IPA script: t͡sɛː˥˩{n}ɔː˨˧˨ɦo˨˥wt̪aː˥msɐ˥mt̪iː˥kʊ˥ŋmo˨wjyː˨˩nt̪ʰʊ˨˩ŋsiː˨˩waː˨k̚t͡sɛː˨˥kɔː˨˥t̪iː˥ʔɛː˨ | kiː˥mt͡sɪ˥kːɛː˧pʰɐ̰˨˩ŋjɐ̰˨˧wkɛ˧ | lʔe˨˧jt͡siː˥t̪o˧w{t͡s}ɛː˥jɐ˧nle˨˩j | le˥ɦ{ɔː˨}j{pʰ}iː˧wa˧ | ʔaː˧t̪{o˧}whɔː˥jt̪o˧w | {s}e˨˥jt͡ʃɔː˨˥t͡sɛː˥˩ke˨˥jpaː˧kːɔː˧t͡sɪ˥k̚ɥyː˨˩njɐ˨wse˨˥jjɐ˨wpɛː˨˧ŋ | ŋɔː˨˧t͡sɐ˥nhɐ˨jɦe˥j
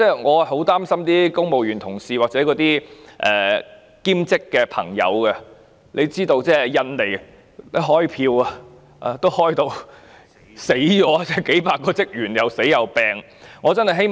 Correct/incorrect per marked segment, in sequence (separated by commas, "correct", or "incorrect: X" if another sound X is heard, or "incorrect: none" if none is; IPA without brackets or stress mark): incorrect: ŋ, correct, incorrect: ɔː˥, correct, incorrect: o˥, correct